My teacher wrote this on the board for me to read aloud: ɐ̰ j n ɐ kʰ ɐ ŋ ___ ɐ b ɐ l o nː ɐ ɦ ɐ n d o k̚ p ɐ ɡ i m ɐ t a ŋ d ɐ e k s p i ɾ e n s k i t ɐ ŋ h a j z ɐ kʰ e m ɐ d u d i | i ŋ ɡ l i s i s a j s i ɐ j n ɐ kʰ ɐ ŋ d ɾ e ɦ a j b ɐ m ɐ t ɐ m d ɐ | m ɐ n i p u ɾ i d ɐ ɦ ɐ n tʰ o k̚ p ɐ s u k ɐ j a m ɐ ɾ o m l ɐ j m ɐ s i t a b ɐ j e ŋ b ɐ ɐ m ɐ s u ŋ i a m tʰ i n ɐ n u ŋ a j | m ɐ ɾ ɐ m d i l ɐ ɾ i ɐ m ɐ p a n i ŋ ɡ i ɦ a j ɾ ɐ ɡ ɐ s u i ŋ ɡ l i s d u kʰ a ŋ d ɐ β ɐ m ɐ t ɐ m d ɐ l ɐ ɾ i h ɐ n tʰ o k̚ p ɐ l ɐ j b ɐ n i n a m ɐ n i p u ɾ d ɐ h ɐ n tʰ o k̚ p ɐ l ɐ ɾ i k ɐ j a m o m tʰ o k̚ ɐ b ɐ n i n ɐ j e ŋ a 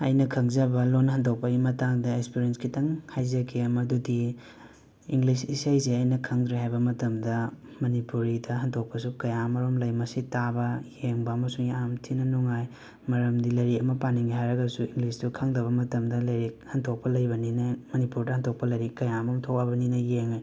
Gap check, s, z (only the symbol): z